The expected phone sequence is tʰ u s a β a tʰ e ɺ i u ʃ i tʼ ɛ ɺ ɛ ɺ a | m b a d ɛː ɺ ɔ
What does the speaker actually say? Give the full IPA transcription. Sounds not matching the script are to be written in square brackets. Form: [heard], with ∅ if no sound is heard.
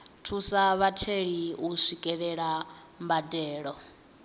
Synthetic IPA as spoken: tʰ u s a β a tʰ e ɺ i u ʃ i [kʼ] ɛ ɺ ɛ ɺ a | m b a d ɛː ɺ ɔ